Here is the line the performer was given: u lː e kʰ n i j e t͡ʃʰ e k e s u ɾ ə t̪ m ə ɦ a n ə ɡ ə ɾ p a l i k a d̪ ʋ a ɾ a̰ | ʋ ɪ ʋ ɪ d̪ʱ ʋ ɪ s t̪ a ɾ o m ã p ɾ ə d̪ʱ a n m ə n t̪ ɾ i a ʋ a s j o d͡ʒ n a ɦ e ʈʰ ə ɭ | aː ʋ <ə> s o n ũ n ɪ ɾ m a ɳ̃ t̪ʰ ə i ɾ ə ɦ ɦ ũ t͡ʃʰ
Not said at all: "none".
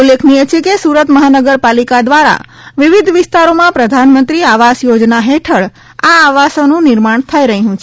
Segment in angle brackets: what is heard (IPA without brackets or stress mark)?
a